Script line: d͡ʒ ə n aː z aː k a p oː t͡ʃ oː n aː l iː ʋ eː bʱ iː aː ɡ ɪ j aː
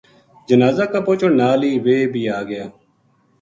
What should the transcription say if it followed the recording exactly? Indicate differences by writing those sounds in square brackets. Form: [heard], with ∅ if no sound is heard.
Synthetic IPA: d͡ʒ ə n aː z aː k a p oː t͡ʃ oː n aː l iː ʋ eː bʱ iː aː ɡ ɪ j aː